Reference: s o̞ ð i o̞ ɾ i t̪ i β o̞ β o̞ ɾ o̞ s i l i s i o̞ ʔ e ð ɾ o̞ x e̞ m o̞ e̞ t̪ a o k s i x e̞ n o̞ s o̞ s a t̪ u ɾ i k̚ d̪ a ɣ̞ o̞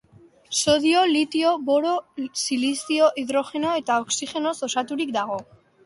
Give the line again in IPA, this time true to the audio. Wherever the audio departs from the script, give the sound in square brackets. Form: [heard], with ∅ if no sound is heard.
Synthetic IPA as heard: s o̞ ð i o̞ [l] i t̪ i [∅] o̞ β o̞ ɾ o̞ s i l i s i o̞ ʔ [i] ð ɾ o̞ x e̞ [n] o̞ e̞ t̪ a o k s i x e̞ n o̞ s o̞ s a t̪ u ɾ i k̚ d̪ a ɣ̞ o̞